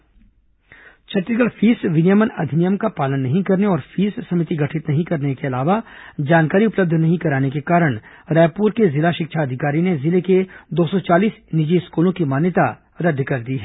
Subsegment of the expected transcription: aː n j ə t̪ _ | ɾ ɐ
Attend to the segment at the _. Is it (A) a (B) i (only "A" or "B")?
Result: A